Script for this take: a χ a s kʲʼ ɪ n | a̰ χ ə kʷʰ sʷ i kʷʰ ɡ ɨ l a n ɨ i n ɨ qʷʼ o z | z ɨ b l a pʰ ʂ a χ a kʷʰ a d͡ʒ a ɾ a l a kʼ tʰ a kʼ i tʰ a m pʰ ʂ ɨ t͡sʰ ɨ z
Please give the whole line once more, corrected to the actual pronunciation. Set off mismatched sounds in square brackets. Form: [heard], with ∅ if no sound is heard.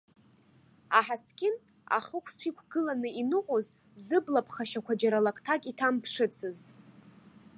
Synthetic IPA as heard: a [ħ] a s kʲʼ ɪ n | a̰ χ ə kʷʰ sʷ i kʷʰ ɡ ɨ l a n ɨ i n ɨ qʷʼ o z | z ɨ b l a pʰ [χ] a [ʃ] a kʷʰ a d͡ʒ a ɾ a l a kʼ tʰ a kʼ i tʰ a m pʰ ʂ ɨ t͡sʰ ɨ z